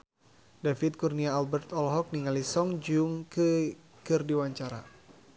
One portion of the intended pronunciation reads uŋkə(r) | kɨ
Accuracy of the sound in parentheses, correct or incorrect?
incorrect